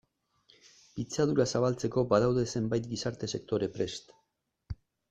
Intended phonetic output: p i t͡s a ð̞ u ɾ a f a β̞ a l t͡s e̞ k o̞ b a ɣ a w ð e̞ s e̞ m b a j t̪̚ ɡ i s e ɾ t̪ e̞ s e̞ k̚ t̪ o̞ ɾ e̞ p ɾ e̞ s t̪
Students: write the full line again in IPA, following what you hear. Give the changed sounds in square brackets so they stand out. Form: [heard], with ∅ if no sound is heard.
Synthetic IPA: p i t͡s a ð̞ u ɾ a [s] a β̞ a l t͡s e̞ k o̞ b a [ð] a w ð e̞ s e̞ m b a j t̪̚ ɡ i s [a] ɾ t̪ e̞ s e̞ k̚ t̪ o̞ ɾ e̞ p ɾ e̞ s t̪